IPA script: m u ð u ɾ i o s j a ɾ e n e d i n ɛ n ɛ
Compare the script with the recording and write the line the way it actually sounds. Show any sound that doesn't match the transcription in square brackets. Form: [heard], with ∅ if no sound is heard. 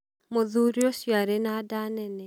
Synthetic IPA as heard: m [o] ð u ɾ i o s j a ɾ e n [a] d [a] n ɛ n ɛ